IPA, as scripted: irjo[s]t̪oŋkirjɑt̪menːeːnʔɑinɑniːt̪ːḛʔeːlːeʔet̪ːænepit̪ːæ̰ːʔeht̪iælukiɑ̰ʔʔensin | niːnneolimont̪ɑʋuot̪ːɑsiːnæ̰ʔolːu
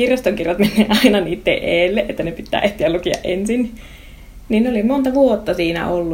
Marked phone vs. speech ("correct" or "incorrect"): correct